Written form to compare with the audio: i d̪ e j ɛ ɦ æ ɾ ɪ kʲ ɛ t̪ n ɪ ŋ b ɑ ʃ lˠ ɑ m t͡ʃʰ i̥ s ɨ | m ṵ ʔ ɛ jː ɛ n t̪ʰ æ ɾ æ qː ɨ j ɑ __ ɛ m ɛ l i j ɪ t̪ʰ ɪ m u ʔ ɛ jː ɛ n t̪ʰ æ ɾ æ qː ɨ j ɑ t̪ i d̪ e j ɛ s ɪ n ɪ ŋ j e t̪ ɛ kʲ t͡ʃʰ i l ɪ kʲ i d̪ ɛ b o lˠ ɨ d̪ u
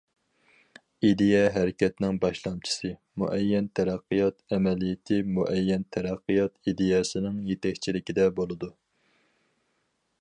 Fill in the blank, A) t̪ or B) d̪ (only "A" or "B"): A